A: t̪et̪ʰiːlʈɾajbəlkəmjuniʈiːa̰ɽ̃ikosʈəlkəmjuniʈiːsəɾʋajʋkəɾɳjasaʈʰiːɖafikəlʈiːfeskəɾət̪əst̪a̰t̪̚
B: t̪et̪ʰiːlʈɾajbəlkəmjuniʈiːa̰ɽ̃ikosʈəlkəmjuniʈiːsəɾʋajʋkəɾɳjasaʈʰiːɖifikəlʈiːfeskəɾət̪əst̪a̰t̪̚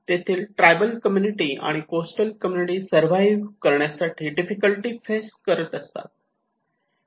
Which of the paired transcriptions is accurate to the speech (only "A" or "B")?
B